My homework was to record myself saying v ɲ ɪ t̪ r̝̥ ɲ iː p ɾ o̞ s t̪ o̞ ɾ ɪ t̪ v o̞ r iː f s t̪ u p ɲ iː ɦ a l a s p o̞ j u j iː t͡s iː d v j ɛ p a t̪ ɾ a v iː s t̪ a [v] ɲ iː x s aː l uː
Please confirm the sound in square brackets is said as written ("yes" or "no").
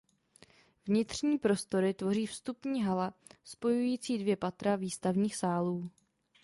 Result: yes